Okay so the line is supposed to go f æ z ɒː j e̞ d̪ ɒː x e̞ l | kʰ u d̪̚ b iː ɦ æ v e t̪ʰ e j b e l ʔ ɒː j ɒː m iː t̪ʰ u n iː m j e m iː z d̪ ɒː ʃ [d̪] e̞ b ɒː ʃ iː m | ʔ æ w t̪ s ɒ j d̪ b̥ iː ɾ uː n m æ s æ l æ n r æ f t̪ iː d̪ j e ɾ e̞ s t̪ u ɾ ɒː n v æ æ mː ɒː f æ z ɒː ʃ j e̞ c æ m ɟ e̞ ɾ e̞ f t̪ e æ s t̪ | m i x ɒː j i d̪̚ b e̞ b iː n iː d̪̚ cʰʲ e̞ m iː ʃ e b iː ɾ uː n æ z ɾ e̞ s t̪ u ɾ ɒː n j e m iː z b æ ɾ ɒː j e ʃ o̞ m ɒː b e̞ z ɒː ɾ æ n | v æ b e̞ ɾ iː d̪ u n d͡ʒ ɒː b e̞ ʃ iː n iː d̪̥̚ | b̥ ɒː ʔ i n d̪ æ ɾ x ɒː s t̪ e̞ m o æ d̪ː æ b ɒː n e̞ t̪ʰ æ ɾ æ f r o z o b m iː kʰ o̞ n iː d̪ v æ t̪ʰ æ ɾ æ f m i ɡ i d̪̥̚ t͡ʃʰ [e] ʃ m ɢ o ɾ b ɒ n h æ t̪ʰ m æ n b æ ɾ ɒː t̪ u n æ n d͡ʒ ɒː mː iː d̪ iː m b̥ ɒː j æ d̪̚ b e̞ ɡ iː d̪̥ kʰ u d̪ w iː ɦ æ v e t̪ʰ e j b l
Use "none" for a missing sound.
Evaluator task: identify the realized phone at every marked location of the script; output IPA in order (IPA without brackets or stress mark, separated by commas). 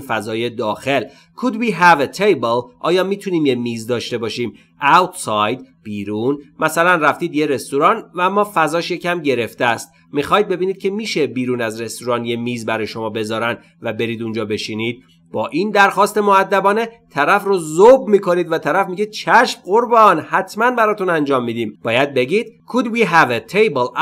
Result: t̪, æ